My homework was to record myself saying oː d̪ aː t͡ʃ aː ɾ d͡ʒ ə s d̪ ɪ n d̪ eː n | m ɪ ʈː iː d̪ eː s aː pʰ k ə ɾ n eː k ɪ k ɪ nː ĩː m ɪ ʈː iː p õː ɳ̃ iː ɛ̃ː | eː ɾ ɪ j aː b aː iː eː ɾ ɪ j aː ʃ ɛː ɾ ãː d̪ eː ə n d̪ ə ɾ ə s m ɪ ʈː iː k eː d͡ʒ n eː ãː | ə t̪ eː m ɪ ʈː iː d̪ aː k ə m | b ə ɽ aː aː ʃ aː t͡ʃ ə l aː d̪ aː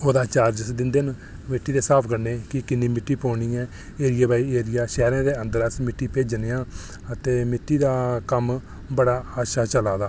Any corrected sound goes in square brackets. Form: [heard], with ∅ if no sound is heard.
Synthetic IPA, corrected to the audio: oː d̪ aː t͡ʃ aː ɾ d͡ʒ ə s d̪ ɪ n d̪ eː n | m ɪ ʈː iː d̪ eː s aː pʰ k ə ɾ n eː k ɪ k ɪ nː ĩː m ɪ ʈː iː p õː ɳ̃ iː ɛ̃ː | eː ɾ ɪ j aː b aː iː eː ɾ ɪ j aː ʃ ɛː ɾ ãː d̪ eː ə n d̪ ə ɾ ə s m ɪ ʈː iː [p] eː d͡ʒ n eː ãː | ə t̪ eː m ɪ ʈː iː d̪ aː k ə m | b ə ɽ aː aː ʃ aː t͡ʃ ə l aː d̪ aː